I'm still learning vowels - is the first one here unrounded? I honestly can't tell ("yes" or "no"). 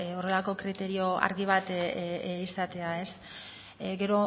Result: no